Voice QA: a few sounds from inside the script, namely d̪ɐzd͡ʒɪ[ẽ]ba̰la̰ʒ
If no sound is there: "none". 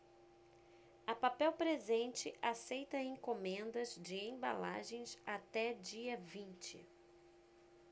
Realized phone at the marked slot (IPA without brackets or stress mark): ẽ